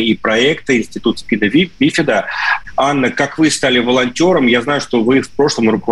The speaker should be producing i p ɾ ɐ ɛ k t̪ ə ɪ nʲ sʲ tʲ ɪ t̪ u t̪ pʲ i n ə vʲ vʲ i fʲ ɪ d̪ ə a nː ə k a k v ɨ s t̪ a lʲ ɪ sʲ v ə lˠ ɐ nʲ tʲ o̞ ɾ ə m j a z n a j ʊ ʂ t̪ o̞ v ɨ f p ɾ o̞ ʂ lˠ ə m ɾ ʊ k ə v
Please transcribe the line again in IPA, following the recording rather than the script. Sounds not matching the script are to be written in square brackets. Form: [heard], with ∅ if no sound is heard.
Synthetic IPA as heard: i p ɾ ɐ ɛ k t̪ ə ɪ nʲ sʲ tʲ ɪ t̪ u t̪ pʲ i n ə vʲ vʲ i fʲ ɪ d̪ ə a nː ə k a k v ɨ s t̪ a lʲ ɪ [∅] v ə lˠ ɐ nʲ tʲ o̞ ɾ ə m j a z n a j ʊ ʂ t̪ o̞ v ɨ f p ɾ o̞ ʂ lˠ ə m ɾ ʊ k ə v